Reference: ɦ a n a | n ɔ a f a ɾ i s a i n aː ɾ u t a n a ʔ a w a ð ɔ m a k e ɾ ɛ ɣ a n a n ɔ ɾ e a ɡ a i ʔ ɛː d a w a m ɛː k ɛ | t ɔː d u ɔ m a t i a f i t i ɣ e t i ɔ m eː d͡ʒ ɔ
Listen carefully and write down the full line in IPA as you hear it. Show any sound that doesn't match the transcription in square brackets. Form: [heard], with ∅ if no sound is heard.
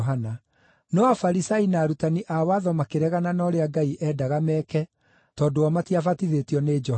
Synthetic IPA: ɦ a n a | n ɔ a f a ɾ i s a i n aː ɾ u t a n [i] ʔ a w a ð ɔ m a k e ɾ ɛ ɣ a n a n ɔ ɾ e a ɡ a i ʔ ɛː d a [ɣ] a m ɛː k ɛ | t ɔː d [o] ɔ m a t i a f [a] t i [ð] e t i ɔ [n] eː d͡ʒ ɔ